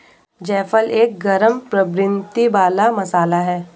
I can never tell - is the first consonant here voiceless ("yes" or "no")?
no